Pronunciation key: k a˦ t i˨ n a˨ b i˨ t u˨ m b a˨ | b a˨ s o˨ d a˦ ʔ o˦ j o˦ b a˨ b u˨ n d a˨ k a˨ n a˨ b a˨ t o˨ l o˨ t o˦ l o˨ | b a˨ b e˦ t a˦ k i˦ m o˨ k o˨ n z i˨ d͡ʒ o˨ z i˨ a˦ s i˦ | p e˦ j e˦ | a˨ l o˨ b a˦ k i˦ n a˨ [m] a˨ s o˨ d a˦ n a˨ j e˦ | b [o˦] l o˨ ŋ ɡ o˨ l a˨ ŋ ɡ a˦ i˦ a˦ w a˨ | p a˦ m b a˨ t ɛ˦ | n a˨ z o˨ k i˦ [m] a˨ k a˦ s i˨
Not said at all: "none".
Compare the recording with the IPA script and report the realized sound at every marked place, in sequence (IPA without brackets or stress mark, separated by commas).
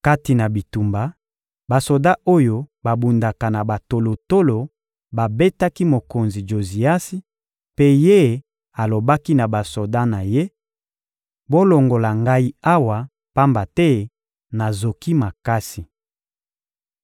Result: b, o˦, m